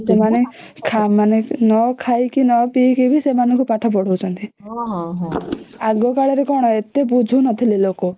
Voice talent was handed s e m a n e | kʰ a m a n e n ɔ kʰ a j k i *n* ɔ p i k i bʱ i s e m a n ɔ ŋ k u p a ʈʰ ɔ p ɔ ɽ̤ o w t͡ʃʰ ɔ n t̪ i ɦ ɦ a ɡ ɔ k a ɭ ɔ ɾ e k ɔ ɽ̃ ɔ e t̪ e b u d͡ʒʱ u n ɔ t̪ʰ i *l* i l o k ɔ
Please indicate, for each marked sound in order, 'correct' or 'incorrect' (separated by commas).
correct, correct